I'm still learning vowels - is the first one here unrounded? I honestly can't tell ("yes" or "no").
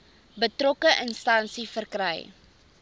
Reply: yes